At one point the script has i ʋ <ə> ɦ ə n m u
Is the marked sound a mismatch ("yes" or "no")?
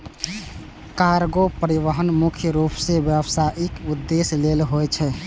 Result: no